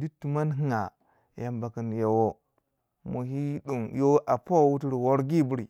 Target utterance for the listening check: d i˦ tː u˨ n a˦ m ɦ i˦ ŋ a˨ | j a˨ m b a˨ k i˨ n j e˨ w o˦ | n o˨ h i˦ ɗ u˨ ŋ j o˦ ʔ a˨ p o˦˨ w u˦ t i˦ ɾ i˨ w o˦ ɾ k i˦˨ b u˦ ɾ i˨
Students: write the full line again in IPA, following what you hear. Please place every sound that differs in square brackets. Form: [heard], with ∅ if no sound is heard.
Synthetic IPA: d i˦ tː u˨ [m] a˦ [n] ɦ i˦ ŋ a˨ | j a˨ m b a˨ k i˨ n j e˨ w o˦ | [m] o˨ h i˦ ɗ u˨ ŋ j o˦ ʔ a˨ p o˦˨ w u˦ t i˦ ɾ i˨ w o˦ ɾ [ɡ] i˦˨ b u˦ ɾ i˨